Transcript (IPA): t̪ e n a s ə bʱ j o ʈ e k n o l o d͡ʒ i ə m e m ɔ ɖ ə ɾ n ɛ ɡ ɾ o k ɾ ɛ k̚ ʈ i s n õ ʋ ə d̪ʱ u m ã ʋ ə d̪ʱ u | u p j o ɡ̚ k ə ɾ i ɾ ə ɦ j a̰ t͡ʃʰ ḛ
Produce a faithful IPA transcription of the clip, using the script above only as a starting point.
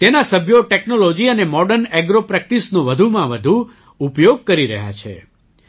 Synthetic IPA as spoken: t̪ e n a s ə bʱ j o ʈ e k n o l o d͡ʒ i ə n e m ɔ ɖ ə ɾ n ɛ ɡ ɾ o p ɾ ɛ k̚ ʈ i s n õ ʋ ə d̪ʱ u m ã ʋ ə d̪ʱ u | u p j o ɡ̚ k ə ɾ i ɾ ə ɦ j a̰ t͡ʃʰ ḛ

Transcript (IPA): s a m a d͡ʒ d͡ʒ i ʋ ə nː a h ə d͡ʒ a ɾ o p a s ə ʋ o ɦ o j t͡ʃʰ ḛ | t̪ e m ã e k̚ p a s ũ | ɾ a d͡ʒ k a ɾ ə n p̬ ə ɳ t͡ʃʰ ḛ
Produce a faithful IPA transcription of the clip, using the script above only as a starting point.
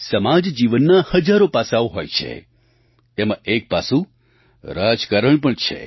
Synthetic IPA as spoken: s ə m a d͡ʒ d͡ʒ i ʋ ə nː a h ə d͡ʒ a ɾ o p a s a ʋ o ɦ o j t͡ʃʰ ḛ | t̪ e m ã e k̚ p a s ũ | ɾ a d͡ʒ k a ɾ ə ɳ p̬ ə ɳ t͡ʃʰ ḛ

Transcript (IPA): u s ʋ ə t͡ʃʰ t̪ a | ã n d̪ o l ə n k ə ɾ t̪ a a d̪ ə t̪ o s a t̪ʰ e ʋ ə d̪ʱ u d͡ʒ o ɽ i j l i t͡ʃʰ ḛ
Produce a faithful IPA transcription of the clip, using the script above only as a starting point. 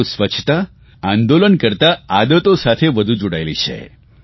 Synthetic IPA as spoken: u s ʋ ə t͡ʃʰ t̪ a | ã n d̪ o l ə n k ə ɾ t̪ a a d̪ ə t̪ o s a t̪ʰ e ʋ ə d̪ʱ u d͡ʒ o ɽ a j l i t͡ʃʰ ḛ

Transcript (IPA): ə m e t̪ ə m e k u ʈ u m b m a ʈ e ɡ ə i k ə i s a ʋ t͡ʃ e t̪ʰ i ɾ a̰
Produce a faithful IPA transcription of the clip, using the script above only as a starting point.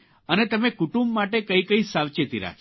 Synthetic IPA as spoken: ə n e t̪ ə m e k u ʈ u m b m a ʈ e k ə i k ə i s a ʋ t͡ʃ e t̪ i ɾ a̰

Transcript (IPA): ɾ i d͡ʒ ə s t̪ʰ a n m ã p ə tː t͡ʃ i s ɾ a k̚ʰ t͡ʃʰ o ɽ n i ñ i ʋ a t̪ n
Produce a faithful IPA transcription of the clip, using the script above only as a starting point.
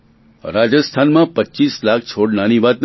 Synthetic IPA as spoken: ɾ a d͡ʒ ə s t̪ʰ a n m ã p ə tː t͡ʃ i s l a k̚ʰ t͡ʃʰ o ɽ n a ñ i ʋ a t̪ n

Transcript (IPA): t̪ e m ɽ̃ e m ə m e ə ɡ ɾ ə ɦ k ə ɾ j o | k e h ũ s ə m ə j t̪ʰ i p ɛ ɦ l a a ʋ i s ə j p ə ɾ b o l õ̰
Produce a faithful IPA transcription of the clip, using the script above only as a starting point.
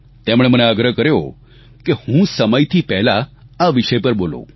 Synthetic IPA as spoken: t̪ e m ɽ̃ e m ə n e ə ɡ ɾ ə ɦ k ə ɾ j o | k e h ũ s ə m ə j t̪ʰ i p ɛ ɦ l a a ʋ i ʃ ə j p ə ɾ b o l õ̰

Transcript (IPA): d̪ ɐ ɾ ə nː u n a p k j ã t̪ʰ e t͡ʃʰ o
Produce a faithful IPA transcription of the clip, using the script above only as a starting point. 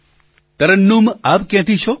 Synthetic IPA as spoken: t̪ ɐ ɾ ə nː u m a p k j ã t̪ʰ i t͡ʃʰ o

